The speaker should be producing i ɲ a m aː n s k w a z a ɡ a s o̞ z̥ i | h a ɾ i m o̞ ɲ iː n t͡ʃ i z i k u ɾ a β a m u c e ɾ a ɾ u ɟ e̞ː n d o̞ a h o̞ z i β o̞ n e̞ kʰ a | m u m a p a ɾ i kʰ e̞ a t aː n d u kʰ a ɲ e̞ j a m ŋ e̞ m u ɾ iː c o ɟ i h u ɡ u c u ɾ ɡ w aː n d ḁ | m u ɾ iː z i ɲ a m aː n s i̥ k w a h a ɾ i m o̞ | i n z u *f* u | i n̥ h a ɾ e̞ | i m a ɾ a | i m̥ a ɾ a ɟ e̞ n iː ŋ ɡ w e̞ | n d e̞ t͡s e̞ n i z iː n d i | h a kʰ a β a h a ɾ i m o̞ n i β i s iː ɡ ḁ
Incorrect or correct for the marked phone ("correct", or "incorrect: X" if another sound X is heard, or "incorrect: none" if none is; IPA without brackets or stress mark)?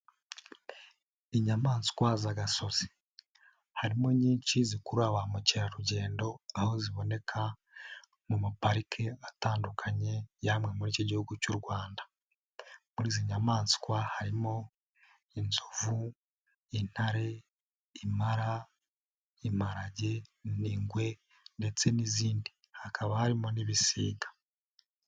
incorrect: v